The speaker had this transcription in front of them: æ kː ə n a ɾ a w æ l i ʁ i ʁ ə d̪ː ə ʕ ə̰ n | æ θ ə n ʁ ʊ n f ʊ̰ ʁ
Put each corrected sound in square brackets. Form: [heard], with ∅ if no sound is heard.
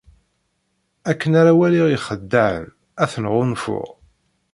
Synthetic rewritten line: æ kː ə n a ɾ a w æ l i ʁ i [χ] ə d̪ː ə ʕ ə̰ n | æ θ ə n ʁ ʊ n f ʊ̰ ʁ